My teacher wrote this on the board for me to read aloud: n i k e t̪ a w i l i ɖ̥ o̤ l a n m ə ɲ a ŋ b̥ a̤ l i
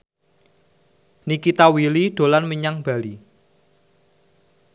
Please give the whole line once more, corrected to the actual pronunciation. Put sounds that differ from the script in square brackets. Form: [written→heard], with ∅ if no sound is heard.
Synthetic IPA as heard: n i k [e→i] t̪ a w i l i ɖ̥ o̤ l a n m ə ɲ a ŋ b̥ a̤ l i